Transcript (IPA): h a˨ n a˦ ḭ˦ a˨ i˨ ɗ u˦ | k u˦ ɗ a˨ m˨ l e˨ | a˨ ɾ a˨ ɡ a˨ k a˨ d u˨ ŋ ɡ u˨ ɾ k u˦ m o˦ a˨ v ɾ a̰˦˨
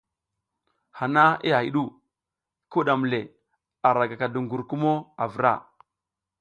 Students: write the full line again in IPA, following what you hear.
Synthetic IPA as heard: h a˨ n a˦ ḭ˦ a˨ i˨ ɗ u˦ | k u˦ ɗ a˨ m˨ l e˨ | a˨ ɾ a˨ ɡ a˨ k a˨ d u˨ ŋ ɡ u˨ ɾ k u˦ m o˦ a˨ v ɾ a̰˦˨